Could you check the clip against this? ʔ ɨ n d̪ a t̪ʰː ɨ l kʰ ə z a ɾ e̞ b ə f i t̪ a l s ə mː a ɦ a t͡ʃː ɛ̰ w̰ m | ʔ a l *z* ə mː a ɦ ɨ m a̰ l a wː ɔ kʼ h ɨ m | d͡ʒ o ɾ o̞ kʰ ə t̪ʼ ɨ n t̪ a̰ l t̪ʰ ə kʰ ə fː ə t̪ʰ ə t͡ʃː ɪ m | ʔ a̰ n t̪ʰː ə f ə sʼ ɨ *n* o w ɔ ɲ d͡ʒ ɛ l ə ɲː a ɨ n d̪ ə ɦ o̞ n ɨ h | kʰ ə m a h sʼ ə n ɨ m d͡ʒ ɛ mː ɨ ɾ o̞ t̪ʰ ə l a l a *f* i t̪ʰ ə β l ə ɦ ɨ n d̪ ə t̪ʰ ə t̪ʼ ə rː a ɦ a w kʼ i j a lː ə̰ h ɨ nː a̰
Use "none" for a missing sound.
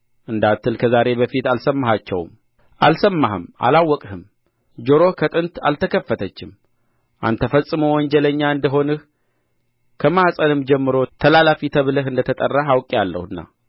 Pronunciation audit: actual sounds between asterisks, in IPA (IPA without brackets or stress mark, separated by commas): s, m, f